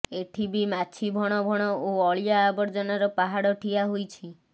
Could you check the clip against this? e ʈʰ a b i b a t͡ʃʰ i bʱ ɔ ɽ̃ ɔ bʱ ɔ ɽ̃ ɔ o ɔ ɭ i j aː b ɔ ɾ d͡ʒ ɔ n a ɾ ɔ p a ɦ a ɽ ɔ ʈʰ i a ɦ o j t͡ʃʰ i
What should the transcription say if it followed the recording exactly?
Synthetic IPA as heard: e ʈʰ i b i m a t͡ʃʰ i bʱ ɔ ɽ̃ ɔ bʱ ɔ ɽ̃ ɔ o ɔ ɭ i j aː b ɔ ɾ d͡ʒ ɔ n a ɾ ɔ p a ɦ a ɽ ɔ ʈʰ i a ɦ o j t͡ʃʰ i